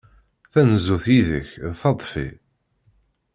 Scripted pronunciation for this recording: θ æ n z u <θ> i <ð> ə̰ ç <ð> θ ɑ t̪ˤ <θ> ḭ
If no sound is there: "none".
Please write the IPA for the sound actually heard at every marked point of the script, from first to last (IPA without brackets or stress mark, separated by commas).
θ, ð, ð, f